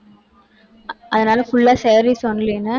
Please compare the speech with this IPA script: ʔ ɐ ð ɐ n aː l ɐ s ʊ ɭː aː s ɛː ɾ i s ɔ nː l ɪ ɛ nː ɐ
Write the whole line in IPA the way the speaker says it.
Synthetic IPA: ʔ ɐ ð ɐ n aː l ɐ f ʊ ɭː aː s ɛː ɾ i s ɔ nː l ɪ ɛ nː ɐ

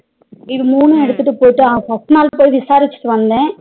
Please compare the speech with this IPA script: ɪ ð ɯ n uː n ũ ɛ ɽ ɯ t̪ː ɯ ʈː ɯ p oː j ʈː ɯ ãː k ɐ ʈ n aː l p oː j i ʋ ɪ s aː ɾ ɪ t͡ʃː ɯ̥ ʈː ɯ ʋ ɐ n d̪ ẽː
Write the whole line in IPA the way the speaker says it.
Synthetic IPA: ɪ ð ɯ m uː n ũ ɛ ɽ ɯ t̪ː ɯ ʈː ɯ p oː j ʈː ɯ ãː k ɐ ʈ n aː l p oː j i ʋ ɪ s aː ɾ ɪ t͡ʃː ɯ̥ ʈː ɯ ʋ ɐ n d̪ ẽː

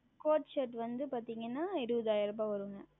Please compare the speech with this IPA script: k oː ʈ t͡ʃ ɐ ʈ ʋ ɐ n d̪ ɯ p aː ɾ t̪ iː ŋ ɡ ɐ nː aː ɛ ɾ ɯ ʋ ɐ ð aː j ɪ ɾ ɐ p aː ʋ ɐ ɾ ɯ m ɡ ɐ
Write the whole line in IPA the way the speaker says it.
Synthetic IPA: k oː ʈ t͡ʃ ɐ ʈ ʋ ɐ n d̪ ɯ p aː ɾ t̪ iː ŋ ɡ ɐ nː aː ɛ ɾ ɯ ʋ ɐ ð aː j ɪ ɾ ɐ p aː ʋ ɐ ɾ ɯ ŋ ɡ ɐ

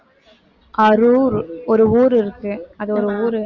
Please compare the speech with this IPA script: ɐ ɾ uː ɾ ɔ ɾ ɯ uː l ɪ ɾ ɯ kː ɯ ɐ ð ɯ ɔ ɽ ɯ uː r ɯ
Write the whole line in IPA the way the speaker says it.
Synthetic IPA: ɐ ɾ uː ɾ ɔ ɾ ɯ uː ɾ ɪ ɾ ɯ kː ɯ ɐ ð ɯ ɔ ɾ ɯ uː ɾ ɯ

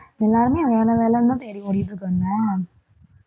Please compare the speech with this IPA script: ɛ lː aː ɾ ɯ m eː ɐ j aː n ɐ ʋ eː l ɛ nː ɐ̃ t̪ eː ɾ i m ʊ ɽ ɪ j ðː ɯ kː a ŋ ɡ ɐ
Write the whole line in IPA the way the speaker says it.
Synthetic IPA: ɛ lː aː ɾ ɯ m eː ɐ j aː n ɐ ʋ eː l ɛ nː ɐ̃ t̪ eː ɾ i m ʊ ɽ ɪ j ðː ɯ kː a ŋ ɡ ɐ

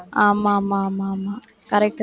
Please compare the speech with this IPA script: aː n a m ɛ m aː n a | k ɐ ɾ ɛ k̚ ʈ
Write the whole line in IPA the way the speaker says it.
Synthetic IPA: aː m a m a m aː m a | k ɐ ɾ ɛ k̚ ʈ

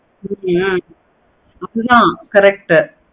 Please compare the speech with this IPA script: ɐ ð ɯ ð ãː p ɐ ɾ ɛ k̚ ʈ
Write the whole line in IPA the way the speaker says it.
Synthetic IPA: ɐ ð ɯ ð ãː k ɐ ɾ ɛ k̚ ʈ

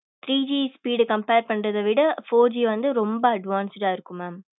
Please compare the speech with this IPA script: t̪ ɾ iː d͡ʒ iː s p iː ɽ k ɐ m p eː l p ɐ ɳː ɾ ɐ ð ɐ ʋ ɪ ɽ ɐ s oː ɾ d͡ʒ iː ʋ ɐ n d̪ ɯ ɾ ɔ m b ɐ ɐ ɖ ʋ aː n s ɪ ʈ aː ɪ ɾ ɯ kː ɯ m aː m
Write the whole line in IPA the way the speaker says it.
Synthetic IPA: t̪ ɾ iː d͡ʒ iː s p iː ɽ k ɐ m p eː ɾ p ɐ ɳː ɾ ɐ ð ɐ ʋ ɪ ɽ ɐ f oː ɾ d͡ʒ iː ʋ ɐ n d̪ ɯ ɾ ɔ m b ɐ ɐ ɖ ʋ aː n s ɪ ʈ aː ɪ ɾ ɯ kː ɯ m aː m

